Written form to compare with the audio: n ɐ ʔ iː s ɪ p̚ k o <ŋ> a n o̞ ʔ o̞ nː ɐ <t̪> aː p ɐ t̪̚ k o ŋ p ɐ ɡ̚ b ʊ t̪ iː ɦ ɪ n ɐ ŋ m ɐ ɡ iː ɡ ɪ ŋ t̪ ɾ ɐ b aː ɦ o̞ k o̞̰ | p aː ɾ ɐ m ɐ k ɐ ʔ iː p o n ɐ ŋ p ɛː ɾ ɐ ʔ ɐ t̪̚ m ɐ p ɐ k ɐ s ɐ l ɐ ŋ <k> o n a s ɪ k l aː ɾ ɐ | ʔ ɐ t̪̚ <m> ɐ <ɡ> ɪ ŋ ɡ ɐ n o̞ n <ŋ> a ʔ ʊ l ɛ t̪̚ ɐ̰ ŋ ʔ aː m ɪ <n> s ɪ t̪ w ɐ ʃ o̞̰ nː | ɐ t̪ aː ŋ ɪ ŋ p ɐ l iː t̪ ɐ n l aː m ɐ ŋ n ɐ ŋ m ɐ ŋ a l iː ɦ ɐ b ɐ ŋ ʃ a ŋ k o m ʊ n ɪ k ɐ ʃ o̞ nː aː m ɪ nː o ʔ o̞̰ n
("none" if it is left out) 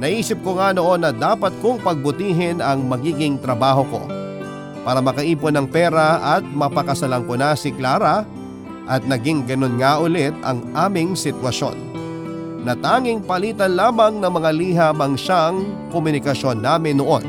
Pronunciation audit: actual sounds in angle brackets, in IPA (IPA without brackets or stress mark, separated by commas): ŋ, d̪, k, n, ɡ, ŋ, ŋ